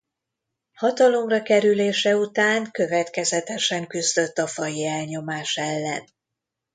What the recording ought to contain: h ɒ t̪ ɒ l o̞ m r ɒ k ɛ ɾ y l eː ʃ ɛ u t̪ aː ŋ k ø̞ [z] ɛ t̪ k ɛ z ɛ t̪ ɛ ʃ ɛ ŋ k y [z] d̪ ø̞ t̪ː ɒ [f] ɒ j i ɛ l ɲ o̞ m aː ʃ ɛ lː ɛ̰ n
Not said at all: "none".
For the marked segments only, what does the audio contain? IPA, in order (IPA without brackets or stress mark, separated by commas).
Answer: v, z, f